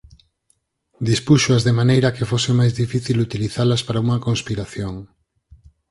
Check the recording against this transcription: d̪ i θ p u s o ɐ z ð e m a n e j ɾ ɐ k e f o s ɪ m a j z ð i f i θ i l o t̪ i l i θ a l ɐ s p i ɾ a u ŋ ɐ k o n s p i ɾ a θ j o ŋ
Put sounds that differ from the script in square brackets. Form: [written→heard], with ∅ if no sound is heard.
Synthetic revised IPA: d̪ i [θ→s] p u [s→ʃ] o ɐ z ð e m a n e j ɾ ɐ k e f o s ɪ m a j z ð i f i θ i l [o→u] t̪ i l i θ a l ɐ s p [i→a] ɾ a u ŋ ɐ k o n s p i ɾ a θ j o ŋ